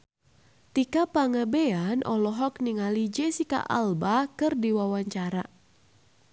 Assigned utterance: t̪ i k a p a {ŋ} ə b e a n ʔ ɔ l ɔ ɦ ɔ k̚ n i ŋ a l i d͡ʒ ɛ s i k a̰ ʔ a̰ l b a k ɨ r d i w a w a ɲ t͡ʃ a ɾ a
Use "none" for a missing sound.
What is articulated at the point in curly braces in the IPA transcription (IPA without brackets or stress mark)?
ŋ